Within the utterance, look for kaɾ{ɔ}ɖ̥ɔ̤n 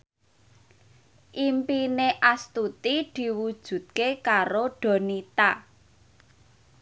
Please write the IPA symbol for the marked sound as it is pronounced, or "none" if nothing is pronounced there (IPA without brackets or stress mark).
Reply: o